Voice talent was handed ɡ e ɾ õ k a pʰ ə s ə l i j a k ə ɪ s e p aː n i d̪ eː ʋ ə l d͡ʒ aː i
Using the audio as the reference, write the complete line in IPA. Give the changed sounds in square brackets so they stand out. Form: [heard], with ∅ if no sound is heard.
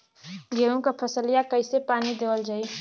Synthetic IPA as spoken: ɡ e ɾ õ k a pʰ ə s ə l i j a k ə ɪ s e p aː n i d̪ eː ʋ ə l d͡ʒ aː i

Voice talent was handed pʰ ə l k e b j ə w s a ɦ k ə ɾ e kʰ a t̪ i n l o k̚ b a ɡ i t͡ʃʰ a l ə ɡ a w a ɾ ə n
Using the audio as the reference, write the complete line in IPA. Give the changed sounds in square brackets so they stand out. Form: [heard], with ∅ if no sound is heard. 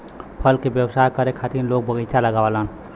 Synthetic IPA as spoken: pʰ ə l k e b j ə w s a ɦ k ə ɾ e kʰ a t̪ i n l o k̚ b [ə] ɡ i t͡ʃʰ a l ə ɡ a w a [l] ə n

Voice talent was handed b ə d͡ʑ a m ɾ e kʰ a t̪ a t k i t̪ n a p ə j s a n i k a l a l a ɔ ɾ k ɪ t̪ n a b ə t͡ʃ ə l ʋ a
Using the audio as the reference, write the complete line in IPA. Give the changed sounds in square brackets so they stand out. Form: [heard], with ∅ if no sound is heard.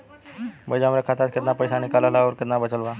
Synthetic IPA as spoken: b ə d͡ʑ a m ɾ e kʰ a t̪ a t k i t̪ n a p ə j s a n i k a l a l a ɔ ɾ k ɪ t̪ n a b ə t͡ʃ ə l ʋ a

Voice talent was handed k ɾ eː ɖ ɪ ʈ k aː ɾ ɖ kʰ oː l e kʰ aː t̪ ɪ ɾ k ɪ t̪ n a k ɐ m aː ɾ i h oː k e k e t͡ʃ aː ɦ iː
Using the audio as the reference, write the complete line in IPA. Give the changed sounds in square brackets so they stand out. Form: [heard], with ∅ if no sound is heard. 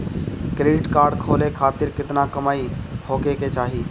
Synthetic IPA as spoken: k ɾ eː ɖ ɪ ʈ k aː ɾ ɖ kʰ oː l e kʰ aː t̪ ɪ ɾ k ɪ t̪ n a k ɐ m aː [∅] i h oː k e k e t͡ʃ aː ɦ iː

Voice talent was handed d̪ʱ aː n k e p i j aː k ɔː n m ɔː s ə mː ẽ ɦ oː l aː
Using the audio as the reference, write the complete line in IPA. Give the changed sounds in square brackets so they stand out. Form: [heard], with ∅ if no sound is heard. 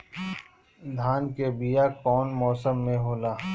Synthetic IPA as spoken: d̪ʱ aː n k e [b] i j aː k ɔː n m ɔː s ə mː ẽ ɦ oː l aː

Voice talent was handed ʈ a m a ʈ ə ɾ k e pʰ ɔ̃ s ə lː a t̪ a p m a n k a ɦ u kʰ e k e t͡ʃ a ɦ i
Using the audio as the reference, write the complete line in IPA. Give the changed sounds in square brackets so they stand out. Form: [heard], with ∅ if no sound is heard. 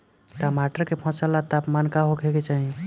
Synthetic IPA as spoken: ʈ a m a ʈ ə ɾ k e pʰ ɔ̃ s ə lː a t̪ a p m a n k a ɦ [o] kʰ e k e t͡ʃ a ɦ i

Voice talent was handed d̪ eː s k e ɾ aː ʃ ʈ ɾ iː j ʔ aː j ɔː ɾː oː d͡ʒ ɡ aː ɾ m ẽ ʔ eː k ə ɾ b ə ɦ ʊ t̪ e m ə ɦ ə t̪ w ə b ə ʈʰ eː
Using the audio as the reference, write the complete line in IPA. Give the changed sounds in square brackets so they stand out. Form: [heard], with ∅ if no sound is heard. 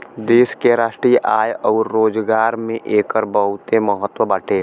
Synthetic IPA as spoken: d̪ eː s k e ɾ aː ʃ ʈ ɾ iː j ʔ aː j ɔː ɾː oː d͡ʒ ɡ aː ɾ m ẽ ʔ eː k ə ɾ b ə ɦ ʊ t̪ e m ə ɦ ə t̪ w ə b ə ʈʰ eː

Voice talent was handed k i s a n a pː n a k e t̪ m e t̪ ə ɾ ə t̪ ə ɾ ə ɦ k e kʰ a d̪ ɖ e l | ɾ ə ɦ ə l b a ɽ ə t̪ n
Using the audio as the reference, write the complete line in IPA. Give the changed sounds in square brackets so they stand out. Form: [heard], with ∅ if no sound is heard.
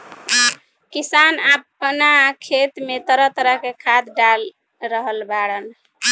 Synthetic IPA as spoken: k i s a n a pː n a [kʰ] e t̪ m e t̪ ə ɾ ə t̪ ə ɾ ə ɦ k e kʰ a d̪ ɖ [a] l | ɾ ə ɦ ə l b a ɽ ə [∅] n

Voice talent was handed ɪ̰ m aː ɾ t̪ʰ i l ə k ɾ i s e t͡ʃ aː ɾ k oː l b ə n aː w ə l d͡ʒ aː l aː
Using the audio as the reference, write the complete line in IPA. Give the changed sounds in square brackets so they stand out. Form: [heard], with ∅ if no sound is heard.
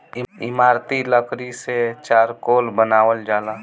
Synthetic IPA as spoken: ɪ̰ m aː ɾ [t̪] i l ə k ɾ i s e t͡ʃ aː ɾ k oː l b ə n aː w ə l d͡ʒ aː l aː

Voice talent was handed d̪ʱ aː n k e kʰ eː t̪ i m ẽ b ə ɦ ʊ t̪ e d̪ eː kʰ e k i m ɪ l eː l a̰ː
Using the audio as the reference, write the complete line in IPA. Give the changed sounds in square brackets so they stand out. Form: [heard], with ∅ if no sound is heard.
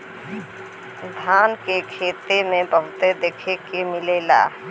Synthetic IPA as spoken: d̪ʱ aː n k e kʰ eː t̪ [e] m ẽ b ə ɦ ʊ t̪ e d̪ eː kʰ e k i m ɪ l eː l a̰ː

